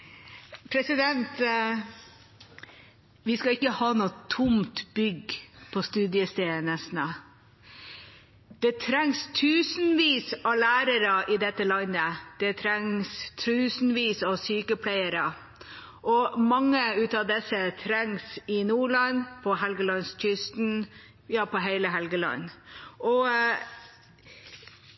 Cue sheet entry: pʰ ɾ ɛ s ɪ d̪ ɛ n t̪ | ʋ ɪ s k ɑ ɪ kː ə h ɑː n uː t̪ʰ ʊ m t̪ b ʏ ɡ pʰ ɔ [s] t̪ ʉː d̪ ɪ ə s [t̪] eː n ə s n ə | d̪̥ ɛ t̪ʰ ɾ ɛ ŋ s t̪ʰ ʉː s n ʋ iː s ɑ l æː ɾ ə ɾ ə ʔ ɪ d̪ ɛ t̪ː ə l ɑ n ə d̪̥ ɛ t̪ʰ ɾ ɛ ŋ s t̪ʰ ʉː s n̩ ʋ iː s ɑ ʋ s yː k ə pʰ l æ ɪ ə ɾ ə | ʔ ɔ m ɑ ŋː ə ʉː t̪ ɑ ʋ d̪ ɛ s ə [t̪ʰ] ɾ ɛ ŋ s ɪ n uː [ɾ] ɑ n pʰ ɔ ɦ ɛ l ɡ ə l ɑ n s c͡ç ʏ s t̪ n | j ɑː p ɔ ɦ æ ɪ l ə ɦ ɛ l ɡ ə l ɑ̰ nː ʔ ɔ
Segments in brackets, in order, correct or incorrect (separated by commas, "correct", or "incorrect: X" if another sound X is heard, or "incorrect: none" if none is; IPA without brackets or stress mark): correct, correct, correct, incorrect: ɭ